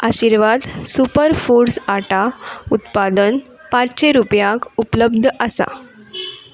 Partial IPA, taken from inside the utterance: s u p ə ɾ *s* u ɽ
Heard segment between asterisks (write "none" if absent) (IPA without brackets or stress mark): f